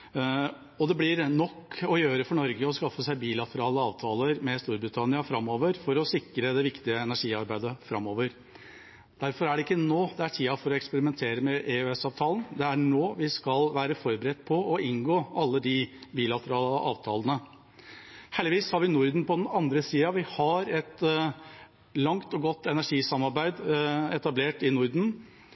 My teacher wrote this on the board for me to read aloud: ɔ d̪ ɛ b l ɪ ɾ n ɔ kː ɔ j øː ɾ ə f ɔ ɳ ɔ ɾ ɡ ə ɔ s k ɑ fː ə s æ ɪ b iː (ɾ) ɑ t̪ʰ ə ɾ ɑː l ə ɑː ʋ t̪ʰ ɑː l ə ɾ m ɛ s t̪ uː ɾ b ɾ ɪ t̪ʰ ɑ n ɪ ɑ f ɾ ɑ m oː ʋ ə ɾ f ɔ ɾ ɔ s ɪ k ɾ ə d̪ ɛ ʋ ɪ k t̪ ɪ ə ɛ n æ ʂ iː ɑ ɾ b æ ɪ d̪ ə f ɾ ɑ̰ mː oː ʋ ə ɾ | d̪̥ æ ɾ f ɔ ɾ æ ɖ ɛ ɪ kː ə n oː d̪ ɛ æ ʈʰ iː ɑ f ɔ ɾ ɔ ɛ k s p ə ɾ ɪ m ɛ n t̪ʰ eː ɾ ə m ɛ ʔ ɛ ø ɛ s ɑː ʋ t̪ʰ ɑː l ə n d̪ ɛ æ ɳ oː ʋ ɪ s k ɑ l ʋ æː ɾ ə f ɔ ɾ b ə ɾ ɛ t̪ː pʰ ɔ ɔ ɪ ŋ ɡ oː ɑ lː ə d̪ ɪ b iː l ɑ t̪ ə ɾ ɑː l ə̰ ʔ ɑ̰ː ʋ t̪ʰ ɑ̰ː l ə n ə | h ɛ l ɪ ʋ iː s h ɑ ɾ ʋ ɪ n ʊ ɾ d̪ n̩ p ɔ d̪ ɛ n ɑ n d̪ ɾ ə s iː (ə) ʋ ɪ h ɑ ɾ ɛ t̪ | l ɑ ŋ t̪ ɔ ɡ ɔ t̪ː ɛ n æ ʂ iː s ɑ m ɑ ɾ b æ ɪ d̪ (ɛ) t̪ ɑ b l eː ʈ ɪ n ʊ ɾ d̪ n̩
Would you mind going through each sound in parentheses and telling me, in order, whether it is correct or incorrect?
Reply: incorrect: l, incorrect: ɑ, correct

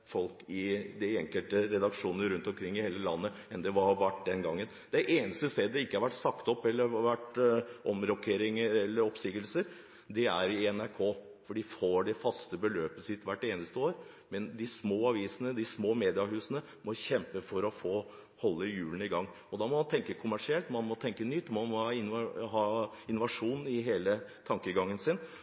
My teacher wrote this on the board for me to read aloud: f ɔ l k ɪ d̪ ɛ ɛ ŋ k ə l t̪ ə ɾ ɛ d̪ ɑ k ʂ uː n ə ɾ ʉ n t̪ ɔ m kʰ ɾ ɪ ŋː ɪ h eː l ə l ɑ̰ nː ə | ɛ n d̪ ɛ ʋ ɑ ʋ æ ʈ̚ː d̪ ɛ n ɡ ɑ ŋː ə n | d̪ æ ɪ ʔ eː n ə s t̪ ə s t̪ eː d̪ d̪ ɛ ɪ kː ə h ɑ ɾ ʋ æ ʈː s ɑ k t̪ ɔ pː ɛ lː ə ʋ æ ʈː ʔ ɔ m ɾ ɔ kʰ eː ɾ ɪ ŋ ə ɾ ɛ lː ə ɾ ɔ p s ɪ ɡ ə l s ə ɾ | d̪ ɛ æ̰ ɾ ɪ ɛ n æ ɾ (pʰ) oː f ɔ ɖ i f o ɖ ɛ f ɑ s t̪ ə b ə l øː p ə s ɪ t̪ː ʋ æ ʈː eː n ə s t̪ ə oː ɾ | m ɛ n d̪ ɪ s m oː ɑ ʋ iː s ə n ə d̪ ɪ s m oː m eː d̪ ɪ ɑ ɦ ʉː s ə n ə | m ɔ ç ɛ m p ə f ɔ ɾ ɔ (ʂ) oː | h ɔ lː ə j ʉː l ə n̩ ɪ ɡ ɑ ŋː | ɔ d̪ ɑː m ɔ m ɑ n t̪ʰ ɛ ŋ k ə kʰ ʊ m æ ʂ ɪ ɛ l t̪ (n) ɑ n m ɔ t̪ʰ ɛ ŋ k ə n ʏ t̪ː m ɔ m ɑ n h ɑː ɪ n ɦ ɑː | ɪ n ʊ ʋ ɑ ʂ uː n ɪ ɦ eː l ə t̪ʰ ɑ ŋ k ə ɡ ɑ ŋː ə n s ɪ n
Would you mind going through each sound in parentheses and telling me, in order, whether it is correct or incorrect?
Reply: incorrect: kʰ, incorrect: f, incorrect: m

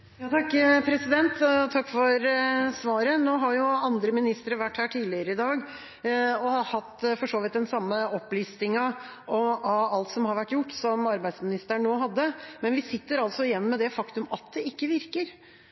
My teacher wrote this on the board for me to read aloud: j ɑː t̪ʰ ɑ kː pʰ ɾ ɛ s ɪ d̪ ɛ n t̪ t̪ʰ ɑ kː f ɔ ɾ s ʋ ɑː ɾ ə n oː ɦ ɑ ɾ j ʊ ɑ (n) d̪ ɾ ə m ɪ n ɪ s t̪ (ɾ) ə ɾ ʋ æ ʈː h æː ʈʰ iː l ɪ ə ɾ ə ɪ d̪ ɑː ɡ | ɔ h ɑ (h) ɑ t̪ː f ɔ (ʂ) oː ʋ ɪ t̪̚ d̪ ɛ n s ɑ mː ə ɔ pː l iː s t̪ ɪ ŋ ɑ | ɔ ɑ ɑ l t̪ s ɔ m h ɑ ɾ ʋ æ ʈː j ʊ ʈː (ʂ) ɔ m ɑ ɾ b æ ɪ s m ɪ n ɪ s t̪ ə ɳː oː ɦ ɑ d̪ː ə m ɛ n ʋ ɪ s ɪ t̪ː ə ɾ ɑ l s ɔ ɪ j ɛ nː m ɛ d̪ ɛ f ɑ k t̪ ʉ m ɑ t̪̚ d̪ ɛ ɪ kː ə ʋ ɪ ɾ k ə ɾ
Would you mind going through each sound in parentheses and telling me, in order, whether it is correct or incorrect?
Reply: correct, correct, correct, correct, incorrect: s

